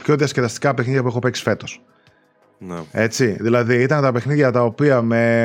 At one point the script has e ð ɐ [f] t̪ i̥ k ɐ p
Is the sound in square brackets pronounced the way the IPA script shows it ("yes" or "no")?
no